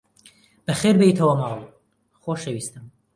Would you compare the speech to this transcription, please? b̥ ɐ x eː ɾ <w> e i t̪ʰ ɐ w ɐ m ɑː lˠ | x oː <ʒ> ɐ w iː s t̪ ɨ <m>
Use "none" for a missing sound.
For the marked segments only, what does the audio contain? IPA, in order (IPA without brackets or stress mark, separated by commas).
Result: b, ʃ, m